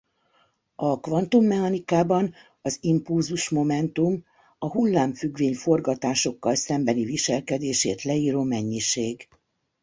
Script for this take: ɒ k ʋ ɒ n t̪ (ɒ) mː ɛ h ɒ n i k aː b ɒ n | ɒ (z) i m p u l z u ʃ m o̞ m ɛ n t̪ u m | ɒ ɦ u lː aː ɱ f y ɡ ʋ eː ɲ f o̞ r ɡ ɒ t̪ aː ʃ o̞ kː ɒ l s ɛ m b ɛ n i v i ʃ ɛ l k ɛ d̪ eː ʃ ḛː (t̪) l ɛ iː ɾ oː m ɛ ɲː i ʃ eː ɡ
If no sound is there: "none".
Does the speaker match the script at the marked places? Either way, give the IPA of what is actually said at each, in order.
u, z, t̪

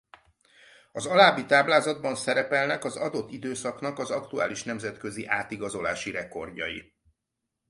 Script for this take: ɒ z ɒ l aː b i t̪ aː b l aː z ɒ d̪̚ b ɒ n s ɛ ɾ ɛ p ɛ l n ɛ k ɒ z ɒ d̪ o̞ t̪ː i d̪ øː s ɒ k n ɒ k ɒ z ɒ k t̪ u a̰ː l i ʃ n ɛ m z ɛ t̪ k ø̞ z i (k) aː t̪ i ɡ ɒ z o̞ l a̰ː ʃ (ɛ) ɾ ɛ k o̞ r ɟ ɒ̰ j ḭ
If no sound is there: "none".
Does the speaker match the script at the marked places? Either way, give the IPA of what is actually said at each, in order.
ʔ, i

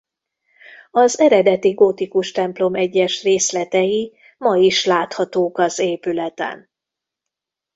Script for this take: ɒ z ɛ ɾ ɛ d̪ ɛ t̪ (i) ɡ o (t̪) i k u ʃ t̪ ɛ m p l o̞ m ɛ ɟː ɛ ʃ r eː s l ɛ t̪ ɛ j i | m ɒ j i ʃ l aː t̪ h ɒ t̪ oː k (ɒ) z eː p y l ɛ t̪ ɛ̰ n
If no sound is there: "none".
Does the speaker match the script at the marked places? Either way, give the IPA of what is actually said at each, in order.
i, t̪, ɒ

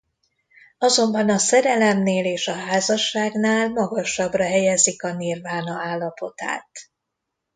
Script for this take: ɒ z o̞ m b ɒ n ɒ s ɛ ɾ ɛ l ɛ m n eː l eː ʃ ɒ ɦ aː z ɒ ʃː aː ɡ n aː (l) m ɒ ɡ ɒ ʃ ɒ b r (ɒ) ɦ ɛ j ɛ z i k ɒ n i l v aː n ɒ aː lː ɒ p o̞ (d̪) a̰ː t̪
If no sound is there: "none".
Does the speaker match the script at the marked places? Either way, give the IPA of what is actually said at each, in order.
l, ɒ, t̪

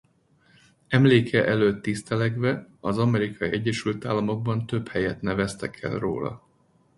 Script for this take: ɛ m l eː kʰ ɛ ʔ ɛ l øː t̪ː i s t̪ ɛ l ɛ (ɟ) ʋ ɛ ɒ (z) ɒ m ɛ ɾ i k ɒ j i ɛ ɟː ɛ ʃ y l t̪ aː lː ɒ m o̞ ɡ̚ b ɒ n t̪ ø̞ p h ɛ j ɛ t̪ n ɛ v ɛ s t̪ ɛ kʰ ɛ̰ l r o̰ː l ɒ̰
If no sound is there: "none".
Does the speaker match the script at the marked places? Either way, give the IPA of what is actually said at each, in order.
ɡ, z

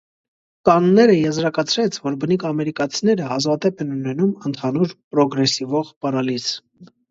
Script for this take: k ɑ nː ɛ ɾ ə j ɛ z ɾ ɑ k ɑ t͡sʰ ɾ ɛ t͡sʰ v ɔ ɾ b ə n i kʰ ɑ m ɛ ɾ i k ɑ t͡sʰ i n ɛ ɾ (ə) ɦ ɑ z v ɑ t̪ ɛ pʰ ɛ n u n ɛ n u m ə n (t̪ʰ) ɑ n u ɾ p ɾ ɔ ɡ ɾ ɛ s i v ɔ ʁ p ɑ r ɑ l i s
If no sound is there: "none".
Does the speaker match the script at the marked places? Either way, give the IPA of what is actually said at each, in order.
ə, t̪ʰ

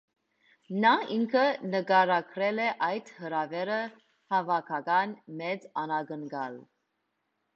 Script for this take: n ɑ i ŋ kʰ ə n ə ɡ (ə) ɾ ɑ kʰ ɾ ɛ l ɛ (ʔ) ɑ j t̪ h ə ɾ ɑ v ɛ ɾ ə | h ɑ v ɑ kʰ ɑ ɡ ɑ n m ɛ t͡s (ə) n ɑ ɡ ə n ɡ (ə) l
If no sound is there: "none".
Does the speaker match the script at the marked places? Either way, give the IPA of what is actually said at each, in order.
ɑ, ʔ, ɑ, ɑ

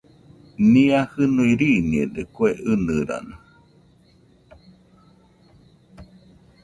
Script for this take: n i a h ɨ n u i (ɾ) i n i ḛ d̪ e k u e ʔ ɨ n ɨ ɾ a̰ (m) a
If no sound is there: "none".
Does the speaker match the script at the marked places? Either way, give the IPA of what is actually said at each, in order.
ɾ, n

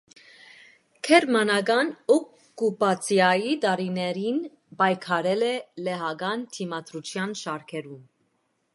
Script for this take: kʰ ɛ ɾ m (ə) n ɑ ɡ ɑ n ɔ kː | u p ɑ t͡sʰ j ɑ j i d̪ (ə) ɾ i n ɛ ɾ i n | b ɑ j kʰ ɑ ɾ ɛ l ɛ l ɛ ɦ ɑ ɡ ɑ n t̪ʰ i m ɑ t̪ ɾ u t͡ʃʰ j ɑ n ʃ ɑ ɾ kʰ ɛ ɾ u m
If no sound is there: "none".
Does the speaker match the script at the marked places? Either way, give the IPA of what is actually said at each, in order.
ɑ, ɑ

